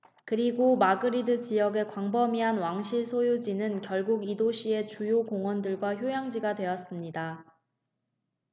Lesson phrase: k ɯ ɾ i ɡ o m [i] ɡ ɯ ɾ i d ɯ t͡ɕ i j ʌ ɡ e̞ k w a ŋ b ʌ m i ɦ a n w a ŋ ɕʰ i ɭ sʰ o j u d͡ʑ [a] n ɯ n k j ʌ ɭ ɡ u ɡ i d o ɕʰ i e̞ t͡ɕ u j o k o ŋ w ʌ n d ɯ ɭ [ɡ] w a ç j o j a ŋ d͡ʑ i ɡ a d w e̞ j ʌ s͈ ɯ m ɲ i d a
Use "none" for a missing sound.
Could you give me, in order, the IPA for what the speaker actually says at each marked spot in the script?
a, i, ɡ

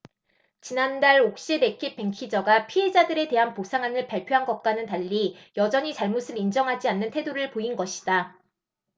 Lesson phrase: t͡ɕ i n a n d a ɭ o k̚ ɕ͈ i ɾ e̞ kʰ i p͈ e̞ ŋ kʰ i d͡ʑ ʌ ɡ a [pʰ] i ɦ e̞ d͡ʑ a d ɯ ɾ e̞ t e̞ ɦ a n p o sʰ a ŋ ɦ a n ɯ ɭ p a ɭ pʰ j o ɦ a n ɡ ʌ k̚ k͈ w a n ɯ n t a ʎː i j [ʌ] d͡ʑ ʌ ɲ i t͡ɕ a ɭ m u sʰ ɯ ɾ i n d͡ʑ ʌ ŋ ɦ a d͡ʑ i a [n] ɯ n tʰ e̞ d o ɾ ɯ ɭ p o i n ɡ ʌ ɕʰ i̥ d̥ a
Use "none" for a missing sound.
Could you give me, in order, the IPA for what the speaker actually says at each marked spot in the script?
pʰ, ʌ, nː

